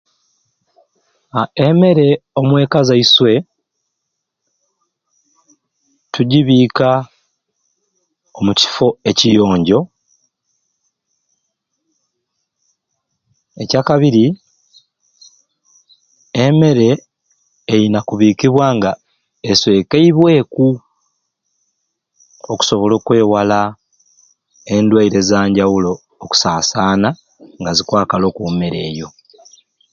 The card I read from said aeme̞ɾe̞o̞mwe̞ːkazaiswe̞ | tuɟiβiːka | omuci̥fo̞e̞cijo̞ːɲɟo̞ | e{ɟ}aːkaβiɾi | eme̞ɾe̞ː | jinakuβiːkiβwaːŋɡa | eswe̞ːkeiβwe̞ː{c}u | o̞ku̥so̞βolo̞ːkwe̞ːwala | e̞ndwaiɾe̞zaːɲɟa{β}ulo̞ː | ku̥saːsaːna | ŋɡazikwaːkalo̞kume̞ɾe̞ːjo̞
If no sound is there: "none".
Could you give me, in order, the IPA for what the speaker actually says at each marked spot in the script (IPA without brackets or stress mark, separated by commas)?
c, k, w